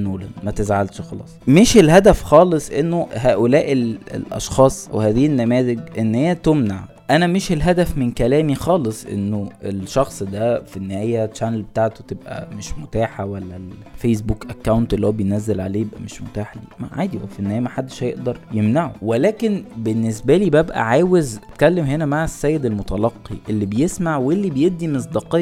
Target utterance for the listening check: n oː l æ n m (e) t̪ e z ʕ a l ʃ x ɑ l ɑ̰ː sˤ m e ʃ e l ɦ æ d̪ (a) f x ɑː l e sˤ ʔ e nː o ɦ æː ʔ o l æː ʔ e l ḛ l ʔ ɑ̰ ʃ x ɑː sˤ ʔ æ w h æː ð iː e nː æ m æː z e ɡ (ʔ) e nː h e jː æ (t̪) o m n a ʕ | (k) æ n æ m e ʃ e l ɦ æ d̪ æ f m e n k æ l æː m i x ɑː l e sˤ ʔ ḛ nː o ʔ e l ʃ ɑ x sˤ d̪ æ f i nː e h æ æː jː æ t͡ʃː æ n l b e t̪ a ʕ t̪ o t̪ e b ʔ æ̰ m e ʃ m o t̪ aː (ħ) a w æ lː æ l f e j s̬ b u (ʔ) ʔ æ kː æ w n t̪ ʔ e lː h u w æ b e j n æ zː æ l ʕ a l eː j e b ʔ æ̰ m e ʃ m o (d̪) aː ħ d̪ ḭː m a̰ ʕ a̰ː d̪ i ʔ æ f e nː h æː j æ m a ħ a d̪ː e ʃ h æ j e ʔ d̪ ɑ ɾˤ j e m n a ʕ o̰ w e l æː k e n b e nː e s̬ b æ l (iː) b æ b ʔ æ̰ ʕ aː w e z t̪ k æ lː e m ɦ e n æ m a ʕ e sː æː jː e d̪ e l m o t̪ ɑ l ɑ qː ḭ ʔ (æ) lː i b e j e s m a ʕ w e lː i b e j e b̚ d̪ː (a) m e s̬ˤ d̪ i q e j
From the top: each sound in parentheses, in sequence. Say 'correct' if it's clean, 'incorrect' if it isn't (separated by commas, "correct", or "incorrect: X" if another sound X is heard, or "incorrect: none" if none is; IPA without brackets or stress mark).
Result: incorrect: æ, incorrect: æ, correct, correct, incorrect: ʔ, correct, incorrect: k, incorrect: t̪, correct, incorrect: e, incorrect: i